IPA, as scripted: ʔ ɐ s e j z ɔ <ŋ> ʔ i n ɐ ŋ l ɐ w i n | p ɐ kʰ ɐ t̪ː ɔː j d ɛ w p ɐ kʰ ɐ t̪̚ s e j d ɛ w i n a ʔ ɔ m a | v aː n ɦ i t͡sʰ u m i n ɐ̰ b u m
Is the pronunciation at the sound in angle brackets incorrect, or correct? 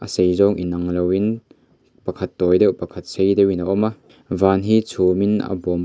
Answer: correct